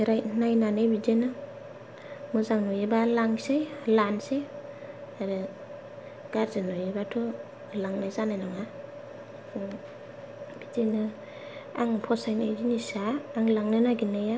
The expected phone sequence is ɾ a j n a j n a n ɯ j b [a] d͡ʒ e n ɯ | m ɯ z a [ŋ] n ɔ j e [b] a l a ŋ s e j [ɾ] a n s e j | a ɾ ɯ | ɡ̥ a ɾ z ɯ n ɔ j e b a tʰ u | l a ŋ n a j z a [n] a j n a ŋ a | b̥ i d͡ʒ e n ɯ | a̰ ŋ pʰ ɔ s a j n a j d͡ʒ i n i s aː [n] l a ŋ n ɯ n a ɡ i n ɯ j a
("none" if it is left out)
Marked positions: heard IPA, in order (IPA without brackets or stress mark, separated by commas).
i, ŋ, b, l, n, ŋ